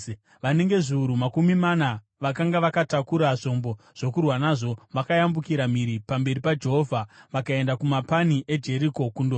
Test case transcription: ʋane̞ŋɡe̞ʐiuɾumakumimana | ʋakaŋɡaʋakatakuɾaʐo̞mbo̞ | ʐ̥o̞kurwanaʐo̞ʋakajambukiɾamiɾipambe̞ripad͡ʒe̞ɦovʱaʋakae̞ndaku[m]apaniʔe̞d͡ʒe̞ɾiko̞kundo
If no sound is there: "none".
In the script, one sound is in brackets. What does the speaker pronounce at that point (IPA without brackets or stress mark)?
m